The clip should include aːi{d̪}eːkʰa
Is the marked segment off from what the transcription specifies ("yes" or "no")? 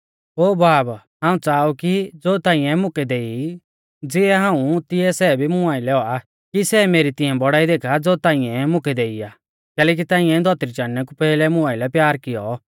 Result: no